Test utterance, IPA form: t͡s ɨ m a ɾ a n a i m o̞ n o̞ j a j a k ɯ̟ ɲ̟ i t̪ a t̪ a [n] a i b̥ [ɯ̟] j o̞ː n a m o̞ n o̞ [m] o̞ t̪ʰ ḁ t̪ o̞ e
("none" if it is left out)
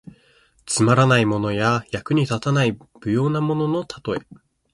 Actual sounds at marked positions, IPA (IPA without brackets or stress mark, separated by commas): n, ɯ̟, n